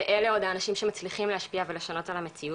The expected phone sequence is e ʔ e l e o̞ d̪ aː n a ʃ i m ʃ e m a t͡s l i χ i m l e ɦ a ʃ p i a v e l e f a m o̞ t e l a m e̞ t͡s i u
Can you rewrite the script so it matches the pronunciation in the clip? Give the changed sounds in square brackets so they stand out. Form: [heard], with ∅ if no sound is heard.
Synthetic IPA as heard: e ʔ e l e o̞ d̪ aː n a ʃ i m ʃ e m a t͡s l i χ i m l e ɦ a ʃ p i a v e l e [ʃ] a [n] o̞ t [a] l a m e̞ t͡s i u